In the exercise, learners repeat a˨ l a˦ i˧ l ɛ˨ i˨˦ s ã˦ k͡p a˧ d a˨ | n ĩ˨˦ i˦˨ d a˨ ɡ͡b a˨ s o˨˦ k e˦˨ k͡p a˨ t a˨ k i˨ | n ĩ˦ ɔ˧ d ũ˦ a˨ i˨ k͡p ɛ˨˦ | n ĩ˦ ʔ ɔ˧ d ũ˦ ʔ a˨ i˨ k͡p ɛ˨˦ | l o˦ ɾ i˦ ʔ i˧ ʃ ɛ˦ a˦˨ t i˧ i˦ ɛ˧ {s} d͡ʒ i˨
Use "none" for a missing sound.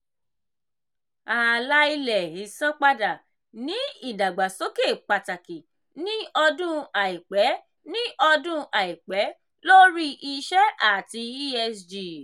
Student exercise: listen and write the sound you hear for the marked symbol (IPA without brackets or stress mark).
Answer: s